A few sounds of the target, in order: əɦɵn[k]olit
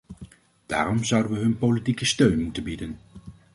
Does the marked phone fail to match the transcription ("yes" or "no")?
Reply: yes